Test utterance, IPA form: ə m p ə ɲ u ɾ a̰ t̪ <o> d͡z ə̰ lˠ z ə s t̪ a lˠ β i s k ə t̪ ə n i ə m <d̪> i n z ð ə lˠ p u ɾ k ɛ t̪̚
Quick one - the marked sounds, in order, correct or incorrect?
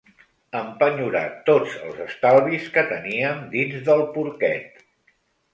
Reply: correct, correct

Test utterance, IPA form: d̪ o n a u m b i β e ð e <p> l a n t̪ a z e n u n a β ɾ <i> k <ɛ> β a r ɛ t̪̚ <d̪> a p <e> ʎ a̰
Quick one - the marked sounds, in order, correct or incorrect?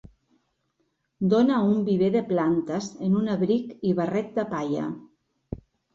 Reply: correct, correct, incorrect, correct, incorrect

